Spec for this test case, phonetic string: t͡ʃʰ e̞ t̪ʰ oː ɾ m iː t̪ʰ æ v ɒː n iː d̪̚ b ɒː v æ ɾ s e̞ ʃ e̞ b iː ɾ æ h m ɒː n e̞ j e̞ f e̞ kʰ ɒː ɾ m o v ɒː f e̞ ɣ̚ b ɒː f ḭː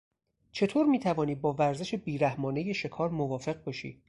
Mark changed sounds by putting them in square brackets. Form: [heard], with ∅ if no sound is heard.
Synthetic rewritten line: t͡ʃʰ e̞ t̪ʰ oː ɾ m iː t̪ʰ æ v ɒː n iː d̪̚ b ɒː v æ ɾ [z] e̞ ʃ e̞ b iː ɾ æ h m ɒː n e̞ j e̞ [ʃ] e̞ kʰ ɒː ɾ m o v ɒː f e̞ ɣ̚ b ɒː [ʃ] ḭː